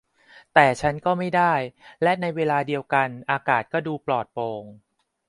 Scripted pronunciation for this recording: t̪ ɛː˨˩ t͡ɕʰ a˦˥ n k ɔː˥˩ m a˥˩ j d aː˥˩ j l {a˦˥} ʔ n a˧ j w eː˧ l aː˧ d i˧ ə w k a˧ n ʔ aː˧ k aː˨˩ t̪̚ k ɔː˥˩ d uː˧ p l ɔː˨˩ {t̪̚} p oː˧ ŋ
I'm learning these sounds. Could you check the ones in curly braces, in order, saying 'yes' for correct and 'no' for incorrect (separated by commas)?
no, yes